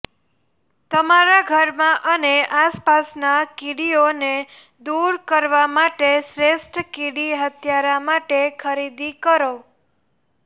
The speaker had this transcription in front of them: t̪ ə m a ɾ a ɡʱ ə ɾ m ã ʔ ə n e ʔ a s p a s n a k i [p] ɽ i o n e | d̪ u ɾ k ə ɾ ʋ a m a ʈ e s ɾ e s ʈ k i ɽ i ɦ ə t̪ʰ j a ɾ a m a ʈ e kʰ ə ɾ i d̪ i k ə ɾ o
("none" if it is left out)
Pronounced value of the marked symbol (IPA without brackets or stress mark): none